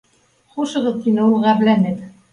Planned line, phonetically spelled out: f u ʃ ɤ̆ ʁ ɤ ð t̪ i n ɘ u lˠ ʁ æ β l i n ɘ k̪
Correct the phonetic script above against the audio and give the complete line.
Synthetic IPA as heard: χ u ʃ ɤ̆ ʁ ɤ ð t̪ i n ɘ u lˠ ʁ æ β l æ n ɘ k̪